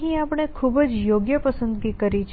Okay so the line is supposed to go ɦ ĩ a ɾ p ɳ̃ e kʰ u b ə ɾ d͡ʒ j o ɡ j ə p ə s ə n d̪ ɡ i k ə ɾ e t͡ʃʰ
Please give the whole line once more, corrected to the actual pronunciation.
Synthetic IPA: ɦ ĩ a p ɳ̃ e kʰ u b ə d͡ʒ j o ɡ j ə p ə s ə n d̪ ɡ i k ə ɾ i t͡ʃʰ

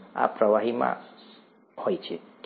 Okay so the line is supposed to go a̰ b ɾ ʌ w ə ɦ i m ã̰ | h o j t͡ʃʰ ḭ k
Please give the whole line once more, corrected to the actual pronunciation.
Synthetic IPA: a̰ p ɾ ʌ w a ɦ i m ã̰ | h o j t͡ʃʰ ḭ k

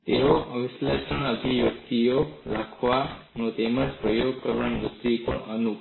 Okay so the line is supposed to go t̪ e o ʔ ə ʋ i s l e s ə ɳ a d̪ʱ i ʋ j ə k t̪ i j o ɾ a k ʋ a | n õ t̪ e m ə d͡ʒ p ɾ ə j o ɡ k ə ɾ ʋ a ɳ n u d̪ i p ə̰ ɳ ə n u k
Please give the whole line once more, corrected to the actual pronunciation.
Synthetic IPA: t̪ e o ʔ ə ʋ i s l e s ə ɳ ə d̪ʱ i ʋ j ə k t̪ i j o ɾ a kʰ ʋ a | n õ t̪ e m ə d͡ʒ p ɾ ə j o ɡ k ə ɾ ʋ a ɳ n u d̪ i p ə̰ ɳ ə n u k

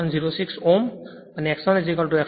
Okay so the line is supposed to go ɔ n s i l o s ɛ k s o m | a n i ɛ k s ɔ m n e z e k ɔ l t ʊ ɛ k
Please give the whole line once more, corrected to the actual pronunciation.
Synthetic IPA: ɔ n z i ɹ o s i k s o m | a n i ɛ k s ɔ n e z i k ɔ l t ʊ ɛ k

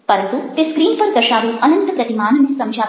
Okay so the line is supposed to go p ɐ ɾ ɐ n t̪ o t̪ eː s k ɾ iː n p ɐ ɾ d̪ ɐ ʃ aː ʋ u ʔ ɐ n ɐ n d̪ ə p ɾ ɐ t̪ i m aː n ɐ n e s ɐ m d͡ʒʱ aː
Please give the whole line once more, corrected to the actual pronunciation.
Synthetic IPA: p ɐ ɾ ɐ n t̪ u t̪ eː s k ɾ iː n p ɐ ɾ d̪ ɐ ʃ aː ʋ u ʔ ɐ n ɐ n t̪ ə p ɾ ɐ t̪ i m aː n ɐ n e s ɐ m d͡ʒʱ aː

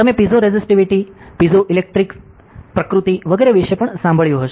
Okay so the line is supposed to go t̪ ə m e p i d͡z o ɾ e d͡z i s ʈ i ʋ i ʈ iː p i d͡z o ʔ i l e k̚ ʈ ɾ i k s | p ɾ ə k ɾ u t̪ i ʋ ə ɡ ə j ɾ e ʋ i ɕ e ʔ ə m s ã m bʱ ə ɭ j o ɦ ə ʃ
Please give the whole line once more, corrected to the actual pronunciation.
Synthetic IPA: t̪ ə m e p i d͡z o ɾ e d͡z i s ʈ i ʋ i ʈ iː p i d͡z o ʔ i l e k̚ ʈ ɾ i k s | p ɾ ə k ɾ u t̪ i ʋ ə ɡ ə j ɾ e ʋ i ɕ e p ə ɳ s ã m bʱ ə ɭ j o ɦ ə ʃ

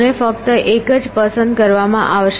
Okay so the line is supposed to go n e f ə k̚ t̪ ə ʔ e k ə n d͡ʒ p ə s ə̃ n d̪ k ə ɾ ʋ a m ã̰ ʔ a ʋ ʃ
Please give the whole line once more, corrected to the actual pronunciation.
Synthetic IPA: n e f ə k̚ t̪ ə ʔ e k ə d͡ʒ p ə s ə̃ n d̪ k ə ɾ ʋ a m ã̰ ʔ a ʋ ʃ

